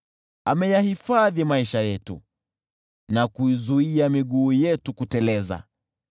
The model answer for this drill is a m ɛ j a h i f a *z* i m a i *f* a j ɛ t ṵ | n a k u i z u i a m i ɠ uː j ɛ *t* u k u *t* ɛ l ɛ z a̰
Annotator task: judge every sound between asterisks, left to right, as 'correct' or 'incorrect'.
incorrect: ð, incorrect: ʃ, correct, correct

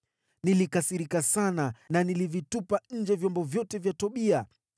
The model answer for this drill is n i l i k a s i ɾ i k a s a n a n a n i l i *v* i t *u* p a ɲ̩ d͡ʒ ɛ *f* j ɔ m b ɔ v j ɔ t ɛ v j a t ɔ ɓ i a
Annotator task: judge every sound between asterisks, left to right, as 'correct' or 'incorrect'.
correct, correct, incorrect: v

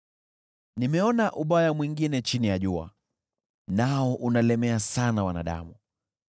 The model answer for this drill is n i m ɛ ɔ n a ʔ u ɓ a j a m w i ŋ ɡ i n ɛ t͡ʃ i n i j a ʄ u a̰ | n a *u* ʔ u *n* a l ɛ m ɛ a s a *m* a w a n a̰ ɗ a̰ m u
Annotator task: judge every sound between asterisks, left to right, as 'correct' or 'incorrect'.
incorrect: ɔ, correct, incorrect: n

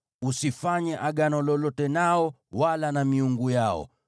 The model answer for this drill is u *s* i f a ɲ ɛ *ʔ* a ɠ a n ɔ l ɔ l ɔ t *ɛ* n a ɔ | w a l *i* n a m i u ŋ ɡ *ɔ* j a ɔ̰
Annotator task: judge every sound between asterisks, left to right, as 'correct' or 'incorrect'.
correct, correct, correct, incorrect: a, incorrect: u

